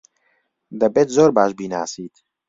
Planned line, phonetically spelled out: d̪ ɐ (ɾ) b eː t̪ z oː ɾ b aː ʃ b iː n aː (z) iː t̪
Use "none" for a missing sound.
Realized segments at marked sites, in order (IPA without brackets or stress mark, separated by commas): none, s